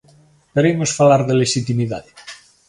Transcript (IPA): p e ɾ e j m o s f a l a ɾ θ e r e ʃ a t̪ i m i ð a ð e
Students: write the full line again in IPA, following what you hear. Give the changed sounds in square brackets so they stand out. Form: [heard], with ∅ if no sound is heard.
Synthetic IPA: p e ɾ e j m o s f a l a ɾ [ð] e [l] e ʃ [i] t̪ i m i ð a ð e